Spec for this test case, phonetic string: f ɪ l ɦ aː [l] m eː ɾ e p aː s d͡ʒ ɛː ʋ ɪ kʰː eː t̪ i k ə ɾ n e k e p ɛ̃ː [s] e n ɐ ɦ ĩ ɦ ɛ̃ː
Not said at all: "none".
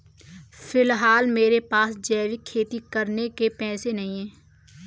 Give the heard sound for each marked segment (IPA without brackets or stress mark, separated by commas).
l, s